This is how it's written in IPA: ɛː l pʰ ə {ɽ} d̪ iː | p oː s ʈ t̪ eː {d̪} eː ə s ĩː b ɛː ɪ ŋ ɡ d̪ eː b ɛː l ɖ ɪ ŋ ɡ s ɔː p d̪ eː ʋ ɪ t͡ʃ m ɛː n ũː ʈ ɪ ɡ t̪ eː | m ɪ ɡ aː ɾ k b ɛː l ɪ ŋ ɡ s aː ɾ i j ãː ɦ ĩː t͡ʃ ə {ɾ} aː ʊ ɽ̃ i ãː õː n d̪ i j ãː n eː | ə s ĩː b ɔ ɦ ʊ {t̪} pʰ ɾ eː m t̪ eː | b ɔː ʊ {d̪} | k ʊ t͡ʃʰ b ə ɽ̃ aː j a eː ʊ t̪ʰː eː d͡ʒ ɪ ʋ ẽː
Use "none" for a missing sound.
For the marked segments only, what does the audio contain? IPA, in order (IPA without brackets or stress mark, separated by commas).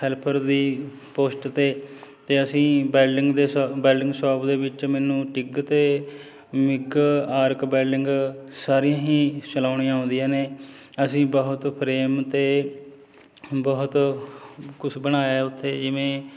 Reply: ɾ, t̪, l, t̪, t̪